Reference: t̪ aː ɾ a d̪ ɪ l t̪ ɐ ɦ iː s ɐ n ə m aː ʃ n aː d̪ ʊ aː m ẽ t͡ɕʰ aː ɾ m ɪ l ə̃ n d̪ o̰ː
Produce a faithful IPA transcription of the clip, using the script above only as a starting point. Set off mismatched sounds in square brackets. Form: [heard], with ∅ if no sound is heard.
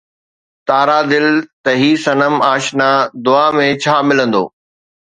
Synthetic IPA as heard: t̪ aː ɾ a d̪ ɪ l t̪ ɐ ɦ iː s ɐ n ə m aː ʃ n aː d̪ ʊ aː m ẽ t͡ɕʰ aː [∅] m ɪ l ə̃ n d̪ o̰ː

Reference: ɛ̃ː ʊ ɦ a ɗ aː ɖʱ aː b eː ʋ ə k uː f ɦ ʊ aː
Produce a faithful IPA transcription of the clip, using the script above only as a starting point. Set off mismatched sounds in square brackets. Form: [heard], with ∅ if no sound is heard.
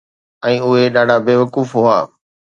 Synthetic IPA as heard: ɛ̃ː ʊ ɦ [e] ɗ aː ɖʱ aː b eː ʋ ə k uː f ɦ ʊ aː

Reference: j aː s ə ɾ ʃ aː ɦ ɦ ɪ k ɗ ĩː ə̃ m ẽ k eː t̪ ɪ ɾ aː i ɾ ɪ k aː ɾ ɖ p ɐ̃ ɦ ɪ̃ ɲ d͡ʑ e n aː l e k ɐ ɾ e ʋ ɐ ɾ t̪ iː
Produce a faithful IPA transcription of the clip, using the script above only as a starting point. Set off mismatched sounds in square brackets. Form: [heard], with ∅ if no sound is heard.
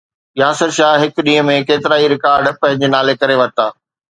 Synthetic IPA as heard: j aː s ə ɾ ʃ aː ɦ ɦ ɪ k ɗ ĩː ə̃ m ẽ k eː t̪ ɪ ɾ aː i ɾ ɪ k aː ɾ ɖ p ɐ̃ ɦ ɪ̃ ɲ d͡ʑ e n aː l e k ɐ ɾ e ʋ ɐ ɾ t̪ [aː]

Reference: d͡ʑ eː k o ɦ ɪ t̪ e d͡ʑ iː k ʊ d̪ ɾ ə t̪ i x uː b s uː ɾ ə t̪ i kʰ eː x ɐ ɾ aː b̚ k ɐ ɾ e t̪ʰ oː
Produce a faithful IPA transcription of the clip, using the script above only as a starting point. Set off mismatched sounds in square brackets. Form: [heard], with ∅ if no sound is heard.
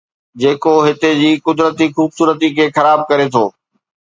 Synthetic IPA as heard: d͡ʑ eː k o ɦ ɪ t̪ e d͡ʑ iː k ʊ d̪ ɾ ə t̪ i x uː b s uː ɾ ə t̪ i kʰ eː x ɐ ɾ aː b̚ k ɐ ɾ e t̪ʰ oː

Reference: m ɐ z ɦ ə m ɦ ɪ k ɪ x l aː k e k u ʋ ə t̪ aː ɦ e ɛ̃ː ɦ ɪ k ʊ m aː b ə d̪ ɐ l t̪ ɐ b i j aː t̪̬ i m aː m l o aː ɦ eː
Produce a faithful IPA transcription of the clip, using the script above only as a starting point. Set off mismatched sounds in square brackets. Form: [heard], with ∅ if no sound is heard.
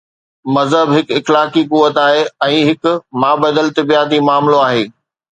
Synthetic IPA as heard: m ɐ z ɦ ə [b] ɦ ɪ k ɪ x l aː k [i] k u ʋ ə t̪ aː ɦ e ɛ̃ː ɦ ɪ k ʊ m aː b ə d̪ [ə] l t̪ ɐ b i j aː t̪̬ i m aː m l o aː ɦ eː

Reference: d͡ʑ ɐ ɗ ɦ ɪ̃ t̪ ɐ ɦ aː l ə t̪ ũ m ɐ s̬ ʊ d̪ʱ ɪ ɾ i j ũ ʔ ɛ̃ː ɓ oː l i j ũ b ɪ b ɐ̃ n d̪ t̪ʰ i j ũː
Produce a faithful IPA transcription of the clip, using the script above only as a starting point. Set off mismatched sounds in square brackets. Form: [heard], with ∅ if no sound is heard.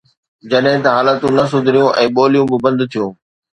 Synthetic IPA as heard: d͡ʑ ɐ ɗ ɦ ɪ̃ t̪ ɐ ɦ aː l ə t̪ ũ [n] ɐ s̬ ʊ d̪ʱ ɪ ɾ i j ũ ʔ ɛ̃ː ɓ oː l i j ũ b ɪ b ɐ̃ n d̪ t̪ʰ i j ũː

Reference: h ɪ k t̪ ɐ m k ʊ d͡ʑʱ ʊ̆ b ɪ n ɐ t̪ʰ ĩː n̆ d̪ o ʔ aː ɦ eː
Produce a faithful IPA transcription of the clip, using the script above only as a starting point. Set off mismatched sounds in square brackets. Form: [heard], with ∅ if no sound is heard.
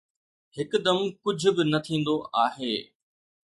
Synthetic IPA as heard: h ɪ k [d̪] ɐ m k ʊ d͡ʑʱ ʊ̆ b ɪ n ɐ t̪ʰ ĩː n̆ d̪ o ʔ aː ɦ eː

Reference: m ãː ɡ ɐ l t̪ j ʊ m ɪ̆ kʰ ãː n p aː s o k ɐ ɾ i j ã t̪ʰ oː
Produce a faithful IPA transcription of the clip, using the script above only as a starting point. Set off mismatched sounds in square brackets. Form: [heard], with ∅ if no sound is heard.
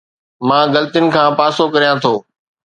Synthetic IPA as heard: m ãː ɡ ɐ l t̪ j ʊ [n] ɪ̆ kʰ ãː [∅] p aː s o k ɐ ɾ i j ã t̪ʰ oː

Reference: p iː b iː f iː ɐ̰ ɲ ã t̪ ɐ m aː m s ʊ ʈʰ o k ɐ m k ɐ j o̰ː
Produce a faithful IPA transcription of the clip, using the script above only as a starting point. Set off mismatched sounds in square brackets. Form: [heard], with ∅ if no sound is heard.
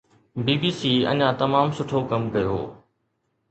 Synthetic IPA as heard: [b] iː b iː [s] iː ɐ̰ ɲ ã t̪ ɐ m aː m s ʊ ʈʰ o k ɐ m k ɐ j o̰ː

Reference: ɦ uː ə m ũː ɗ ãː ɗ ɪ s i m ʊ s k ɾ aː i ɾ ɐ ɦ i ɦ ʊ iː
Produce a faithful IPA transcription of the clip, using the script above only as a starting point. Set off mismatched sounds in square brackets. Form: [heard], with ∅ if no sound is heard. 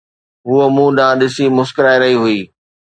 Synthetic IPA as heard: ɦ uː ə m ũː ɗ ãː ɗ ɪ s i m ʊ s k ɾ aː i ɾ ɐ ɦ i ɦ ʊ iː

